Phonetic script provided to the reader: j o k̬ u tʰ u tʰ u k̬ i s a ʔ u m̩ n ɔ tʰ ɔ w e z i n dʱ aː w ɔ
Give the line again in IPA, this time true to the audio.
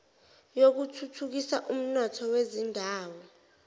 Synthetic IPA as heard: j o k̬ u tʰ u tʰ u k̬ i s a ʔ u m̩ n ɔ tʰ ɔ w e z i n dʱ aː w ɔ